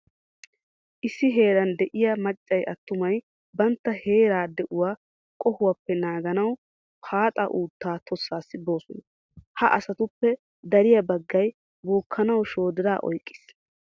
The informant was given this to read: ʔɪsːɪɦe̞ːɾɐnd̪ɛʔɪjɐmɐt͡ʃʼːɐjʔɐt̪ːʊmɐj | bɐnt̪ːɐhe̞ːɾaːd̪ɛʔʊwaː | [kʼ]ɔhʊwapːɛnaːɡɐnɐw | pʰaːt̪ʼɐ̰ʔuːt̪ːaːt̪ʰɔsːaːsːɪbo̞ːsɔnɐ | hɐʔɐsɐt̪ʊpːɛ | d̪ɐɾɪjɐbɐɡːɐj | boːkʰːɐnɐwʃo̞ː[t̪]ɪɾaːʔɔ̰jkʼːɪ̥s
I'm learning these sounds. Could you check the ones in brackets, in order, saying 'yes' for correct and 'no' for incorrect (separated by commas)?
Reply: yes, no